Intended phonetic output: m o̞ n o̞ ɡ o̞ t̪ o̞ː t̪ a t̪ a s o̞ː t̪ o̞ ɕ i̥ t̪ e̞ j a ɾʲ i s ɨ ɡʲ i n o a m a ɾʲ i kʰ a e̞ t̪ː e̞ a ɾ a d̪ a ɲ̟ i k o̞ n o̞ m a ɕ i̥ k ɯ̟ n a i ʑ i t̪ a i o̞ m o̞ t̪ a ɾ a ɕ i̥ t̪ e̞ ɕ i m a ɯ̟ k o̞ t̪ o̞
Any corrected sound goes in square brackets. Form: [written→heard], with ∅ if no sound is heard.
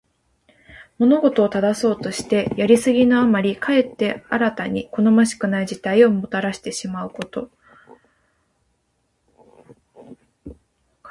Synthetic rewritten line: m o̞ n o̞ ɡ o̞ t̪ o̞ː t̪ a [t̪→d̪] a s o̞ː t̪ o̞ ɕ i̥ t̪ e̞ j a ɾʲ i s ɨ ɡʲ i n o a m a ɾʲ i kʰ a e̞ t̪ː e̞ a ɾ a [d̪→t̪] a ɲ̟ i k o̞ n o̞ m a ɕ i̥ k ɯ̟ n a i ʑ i t̪ a i o̞ m o̞ t̪ a ɾ a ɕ i̥ t̪ e̞ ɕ i m a ɯ̟ k o̞ t̪ o̞